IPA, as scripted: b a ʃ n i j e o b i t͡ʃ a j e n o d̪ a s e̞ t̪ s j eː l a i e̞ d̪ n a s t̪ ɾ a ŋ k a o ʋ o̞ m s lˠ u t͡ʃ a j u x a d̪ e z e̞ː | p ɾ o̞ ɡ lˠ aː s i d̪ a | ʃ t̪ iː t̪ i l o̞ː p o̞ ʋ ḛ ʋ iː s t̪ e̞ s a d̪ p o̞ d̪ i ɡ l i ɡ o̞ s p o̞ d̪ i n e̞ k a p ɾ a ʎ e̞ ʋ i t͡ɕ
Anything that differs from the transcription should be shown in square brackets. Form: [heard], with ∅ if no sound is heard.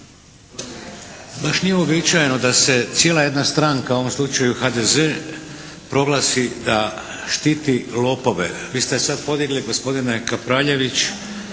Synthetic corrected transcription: b a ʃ n i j e o b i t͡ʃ a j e n o d̪ a s e̞ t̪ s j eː l a [j] e̞ d̪ n a s t̪ ɾ a ŋ k a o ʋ o̞ m s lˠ u t͡ʃ a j u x a d̪ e z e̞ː | p ɾ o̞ ɡ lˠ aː s i d̪ a | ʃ t̪ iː t̪ i l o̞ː p o̞ ʋ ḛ ʋ iː s t̪ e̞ s a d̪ p o̞ d̪ i ɡ l i ɡ o̞ s p o̞ d̪ i n e̞ k a p ɾ a ʎ e̞ ʋ i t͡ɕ